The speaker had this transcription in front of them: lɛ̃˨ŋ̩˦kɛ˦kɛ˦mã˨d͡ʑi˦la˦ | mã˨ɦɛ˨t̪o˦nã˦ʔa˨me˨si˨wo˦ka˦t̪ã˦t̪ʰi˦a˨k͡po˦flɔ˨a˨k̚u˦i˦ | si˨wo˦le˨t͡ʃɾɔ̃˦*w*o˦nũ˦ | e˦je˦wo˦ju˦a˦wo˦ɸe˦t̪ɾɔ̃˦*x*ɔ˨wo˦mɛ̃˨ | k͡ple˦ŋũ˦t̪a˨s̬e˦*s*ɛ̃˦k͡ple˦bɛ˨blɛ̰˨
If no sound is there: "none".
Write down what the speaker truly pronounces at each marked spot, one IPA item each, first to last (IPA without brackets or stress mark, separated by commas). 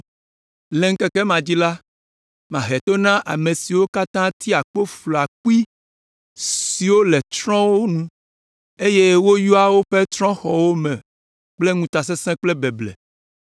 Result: w, x, s